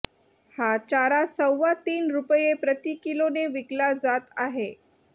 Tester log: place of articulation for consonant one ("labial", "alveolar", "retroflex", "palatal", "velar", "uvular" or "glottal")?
glottal